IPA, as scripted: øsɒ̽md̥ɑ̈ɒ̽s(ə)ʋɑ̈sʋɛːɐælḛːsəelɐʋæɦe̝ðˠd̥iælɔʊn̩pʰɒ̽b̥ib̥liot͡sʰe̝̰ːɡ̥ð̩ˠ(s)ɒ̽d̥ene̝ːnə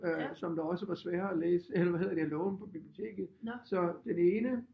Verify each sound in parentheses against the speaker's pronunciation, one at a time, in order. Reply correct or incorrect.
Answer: correct, correct

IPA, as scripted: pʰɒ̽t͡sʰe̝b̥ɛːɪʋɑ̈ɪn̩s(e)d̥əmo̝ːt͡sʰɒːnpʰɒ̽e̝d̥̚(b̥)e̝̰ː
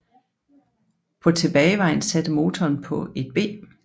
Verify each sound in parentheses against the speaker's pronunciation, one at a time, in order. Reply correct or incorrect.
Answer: incorrect, correct

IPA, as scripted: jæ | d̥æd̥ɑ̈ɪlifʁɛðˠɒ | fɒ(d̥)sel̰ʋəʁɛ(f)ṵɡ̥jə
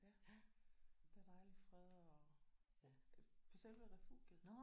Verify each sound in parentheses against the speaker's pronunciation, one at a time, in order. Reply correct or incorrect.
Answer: incorrect, correct

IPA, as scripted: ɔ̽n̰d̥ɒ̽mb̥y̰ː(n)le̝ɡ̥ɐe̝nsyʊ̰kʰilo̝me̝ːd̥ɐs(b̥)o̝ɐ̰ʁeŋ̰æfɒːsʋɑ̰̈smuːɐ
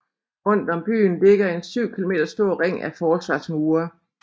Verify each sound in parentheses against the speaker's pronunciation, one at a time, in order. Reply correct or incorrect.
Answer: correct, incorrect

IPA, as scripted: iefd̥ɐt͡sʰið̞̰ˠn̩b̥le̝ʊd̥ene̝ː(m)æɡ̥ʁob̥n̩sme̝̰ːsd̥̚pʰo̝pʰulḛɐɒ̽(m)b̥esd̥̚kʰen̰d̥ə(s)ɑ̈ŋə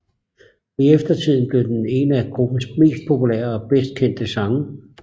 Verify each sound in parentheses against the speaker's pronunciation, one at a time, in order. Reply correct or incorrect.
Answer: incorrect, incorrect, correct

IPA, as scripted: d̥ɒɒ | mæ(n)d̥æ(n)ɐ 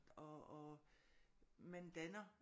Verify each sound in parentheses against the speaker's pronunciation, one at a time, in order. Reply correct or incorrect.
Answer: correct, correct

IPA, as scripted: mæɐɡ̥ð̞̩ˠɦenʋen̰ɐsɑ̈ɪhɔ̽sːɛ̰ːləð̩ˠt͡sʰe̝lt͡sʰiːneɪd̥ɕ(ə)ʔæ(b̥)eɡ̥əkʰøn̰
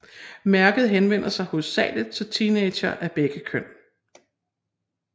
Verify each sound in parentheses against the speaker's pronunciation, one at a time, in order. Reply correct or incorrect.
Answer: incorrect, correct

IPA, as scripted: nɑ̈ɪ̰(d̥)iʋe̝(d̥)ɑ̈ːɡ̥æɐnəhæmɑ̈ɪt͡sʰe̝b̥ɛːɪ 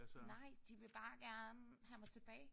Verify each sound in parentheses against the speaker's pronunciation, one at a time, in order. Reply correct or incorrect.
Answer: correct, incorrect

